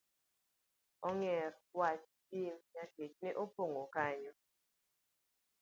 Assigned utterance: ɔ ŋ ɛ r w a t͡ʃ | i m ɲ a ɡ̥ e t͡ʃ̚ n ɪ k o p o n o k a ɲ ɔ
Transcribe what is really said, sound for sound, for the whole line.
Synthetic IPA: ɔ ŋ ɛ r w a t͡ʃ | i m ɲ a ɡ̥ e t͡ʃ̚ n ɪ ʔ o p o ŋ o k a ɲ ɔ